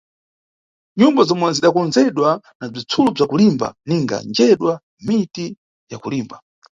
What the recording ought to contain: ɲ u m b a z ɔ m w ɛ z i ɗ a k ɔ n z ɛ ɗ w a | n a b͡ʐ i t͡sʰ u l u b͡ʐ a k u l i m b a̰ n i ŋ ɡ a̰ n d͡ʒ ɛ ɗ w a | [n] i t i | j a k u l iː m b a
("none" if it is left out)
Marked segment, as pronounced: m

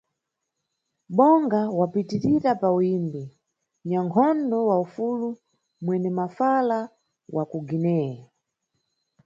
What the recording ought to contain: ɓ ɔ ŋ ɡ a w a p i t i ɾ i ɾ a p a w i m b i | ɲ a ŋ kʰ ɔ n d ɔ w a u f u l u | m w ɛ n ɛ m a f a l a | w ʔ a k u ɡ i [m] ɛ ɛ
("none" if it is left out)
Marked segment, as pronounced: n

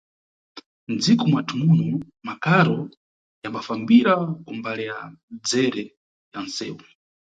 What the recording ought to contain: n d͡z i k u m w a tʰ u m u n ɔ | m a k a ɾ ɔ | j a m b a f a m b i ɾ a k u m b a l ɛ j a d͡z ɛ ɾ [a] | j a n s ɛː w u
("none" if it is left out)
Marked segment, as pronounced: ɛ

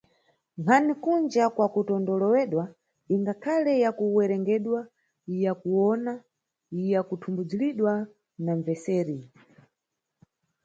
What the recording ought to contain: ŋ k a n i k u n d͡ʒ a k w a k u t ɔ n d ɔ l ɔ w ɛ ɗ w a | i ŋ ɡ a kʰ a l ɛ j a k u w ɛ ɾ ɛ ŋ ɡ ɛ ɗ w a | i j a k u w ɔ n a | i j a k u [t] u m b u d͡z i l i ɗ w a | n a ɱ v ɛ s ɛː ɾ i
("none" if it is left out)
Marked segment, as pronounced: tʰ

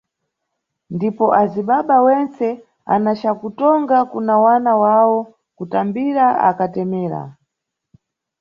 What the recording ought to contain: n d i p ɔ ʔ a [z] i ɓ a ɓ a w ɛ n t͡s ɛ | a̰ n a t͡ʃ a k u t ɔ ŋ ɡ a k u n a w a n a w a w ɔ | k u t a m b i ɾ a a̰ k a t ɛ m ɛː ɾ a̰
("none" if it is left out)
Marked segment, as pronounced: z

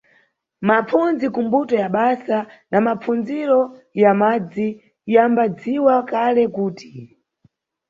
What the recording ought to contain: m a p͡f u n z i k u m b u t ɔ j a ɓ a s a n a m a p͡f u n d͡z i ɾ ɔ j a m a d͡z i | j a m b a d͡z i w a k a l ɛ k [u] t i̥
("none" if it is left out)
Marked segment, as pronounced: uː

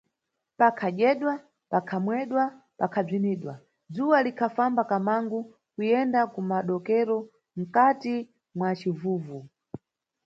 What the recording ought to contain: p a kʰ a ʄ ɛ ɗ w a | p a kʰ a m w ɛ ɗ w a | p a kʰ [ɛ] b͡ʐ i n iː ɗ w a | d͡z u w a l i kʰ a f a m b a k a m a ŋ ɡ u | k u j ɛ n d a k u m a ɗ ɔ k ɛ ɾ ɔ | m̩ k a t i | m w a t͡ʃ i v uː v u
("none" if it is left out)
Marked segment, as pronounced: a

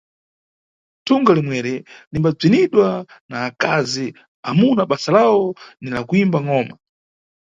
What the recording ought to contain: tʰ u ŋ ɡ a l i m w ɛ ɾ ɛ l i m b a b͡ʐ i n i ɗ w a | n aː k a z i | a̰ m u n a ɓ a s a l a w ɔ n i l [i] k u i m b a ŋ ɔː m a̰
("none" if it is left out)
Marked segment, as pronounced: a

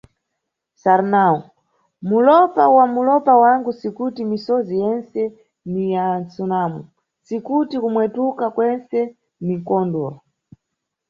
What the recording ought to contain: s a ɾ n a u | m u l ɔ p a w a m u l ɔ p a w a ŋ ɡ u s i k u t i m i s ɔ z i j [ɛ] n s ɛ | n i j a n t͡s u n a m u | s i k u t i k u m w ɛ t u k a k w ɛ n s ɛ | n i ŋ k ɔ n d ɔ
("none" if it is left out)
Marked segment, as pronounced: ɛ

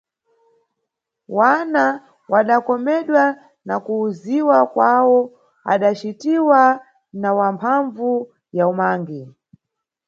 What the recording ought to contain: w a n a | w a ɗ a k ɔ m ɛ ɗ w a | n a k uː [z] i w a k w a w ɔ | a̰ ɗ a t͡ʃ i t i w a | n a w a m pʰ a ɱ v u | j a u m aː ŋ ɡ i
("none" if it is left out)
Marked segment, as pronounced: z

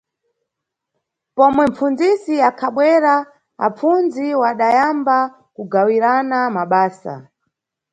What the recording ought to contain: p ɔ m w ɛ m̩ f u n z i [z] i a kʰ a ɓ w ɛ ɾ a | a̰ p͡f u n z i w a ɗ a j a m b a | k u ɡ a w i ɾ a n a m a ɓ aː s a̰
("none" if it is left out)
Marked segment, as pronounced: s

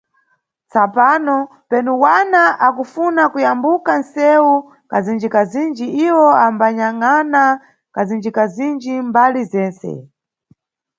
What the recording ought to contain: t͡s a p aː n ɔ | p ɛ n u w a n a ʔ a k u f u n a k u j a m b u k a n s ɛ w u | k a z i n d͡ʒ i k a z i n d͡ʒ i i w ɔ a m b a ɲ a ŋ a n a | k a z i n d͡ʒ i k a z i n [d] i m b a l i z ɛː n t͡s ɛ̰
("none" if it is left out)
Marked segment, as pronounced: d͡ʒ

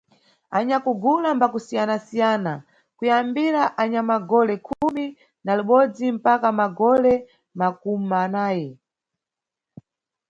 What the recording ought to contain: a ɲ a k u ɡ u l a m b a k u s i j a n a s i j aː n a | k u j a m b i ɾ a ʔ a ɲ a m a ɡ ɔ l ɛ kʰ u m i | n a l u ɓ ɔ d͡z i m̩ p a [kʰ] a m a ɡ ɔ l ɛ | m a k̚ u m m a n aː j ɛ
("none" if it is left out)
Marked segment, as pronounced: k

